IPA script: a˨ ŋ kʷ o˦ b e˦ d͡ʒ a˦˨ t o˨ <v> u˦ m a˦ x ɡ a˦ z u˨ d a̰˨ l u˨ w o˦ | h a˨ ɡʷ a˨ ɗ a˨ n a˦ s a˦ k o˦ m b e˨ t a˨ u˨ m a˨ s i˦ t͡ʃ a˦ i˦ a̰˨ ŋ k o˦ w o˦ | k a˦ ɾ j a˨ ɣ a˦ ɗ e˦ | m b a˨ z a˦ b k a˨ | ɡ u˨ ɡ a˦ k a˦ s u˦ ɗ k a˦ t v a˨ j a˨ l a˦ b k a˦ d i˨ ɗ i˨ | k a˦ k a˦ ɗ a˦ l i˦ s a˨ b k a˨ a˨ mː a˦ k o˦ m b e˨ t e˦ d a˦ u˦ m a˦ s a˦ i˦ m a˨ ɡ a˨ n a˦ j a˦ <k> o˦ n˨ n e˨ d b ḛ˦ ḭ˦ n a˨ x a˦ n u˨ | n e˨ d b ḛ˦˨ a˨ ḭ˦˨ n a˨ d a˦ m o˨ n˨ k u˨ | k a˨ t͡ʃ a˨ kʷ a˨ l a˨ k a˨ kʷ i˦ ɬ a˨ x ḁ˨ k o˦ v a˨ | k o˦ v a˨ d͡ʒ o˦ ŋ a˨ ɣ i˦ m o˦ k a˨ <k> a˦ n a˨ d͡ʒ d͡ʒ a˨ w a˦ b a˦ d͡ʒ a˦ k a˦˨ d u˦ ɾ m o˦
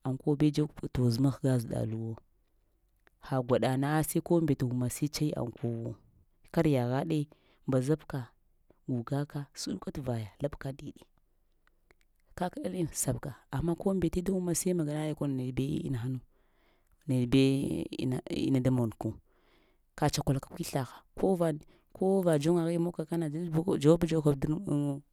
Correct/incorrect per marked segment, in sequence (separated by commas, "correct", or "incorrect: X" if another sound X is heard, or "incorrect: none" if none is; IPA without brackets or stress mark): incorrect: z, correct, correct